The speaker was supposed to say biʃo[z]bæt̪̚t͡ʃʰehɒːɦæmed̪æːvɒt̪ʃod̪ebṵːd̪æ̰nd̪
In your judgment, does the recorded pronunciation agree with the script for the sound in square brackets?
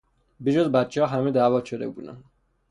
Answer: yes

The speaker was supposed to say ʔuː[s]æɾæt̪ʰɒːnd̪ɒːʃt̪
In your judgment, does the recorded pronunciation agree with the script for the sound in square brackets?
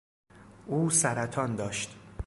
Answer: yes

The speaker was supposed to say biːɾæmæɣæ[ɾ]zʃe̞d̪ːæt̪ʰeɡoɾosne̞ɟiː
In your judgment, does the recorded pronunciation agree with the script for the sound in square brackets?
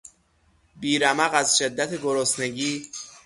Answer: no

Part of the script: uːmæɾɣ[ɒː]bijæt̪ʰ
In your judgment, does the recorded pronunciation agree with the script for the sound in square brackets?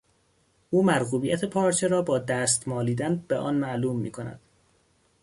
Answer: no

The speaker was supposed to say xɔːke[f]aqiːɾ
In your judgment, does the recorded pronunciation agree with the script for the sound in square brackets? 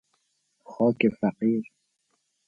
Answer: yes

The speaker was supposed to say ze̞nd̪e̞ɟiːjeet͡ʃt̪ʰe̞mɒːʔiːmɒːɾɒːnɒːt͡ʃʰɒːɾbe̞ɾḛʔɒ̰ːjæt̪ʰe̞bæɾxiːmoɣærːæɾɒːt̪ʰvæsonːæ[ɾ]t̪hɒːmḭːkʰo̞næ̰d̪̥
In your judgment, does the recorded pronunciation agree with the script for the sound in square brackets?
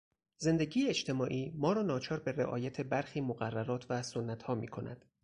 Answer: no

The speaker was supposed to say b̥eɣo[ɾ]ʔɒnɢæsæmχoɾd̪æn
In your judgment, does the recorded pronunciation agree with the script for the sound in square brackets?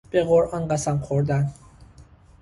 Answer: yes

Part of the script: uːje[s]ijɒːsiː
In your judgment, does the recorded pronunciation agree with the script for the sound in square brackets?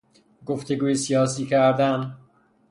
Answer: yes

